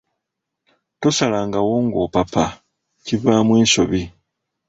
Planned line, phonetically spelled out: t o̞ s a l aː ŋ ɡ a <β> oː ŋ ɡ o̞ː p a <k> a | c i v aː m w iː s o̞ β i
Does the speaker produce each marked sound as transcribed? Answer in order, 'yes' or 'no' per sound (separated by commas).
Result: no, no